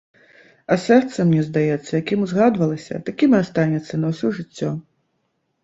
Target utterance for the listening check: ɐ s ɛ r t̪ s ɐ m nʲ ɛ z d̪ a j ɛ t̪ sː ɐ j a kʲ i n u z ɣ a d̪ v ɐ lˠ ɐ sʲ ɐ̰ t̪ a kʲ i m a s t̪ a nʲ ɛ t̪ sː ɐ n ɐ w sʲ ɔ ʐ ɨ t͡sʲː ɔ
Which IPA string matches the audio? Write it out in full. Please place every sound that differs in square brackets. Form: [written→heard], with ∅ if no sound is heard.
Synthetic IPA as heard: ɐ s ɛ r t̪ s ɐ m nʲ ɛ z d̪ a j ɛ t̪ sː ɐ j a kʲ i [n→m] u z ɣ a d̪ v ɐ lˠ ɐ sʲ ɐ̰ t̪ a kʲ i m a s t̪ a nʲ ɛ t̪ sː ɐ n ɐ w sʲ ɔ ʐ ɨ t͡sʲː ɔ